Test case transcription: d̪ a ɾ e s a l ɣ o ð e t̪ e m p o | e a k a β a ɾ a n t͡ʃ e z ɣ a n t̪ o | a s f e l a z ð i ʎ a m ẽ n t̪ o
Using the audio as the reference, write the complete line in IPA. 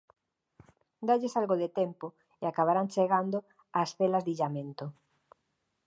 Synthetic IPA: d̪ a ʎ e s a l ɣ o ð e t̪ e m p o | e a k a β a ɾ a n t͡ʃ e ɣ a n d̪ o | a s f e l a z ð i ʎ a m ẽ n t̪ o